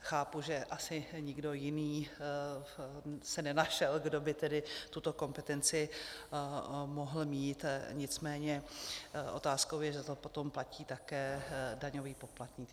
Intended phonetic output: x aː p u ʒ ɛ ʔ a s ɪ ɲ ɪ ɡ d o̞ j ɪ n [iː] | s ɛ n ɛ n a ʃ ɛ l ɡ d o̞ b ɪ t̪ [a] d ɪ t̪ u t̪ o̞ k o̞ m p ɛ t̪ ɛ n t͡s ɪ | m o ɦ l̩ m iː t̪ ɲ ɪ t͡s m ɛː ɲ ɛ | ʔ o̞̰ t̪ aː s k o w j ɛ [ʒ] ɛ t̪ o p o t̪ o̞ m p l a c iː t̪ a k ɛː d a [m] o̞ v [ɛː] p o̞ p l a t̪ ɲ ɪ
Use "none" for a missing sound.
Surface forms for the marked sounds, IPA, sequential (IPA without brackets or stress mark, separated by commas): iː, ɛ, ʒ, ɲ, iː